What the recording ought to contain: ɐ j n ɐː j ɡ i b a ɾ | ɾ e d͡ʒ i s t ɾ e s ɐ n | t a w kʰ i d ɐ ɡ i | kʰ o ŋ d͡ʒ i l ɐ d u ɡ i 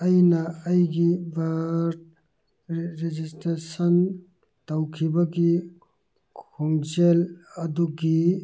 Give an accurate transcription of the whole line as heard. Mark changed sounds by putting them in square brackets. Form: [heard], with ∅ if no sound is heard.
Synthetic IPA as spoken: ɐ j n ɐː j ɡ i b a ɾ | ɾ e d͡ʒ i s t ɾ e s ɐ n | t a w kʰ i [b] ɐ ɡ i | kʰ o ŋ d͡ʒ [e] l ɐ d u ɡ i